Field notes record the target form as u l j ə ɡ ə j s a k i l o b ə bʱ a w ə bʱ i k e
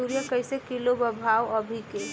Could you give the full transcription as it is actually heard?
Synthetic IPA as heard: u ɾ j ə k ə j s e k i l o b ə bʱ a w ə bʱ i k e